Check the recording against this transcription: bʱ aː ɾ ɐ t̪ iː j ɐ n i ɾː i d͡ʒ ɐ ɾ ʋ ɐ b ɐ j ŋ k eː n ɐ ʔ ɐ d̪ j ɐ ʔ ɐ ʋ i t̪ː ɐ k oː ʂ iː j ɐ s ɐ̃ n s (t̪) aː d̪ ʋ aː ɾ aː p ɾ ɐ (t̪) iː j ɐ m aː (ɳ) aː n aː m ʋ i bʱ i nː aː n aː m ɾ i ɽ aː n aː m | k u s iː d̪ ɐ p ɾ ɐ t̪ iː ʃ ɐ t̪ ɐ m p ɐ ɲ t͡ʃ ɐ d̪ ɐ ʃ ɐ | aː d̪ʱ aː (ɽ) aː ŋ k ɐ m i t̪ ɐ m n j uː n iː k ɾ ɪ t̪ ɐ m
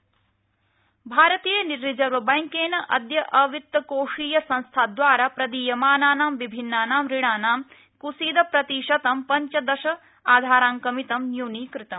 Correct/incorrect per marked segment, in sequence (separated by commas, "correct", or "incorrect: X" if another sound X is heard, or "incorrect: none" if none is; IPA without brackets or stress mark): incorrect: t̪ʰ, incorrect: d̪, incorrect: n, incorrect: ɾ